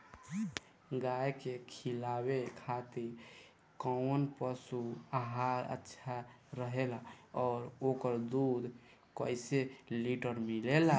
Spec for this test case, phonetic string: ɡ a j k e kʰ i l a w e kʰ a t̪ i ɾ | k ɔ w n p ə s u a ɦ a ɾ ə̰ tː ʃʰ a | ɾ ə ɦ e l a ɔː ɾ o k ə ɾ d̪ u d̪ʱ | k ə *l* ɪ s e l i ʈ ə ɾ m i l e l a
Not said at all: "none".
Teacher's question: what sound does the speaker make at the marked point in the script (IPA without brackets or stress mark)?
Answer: none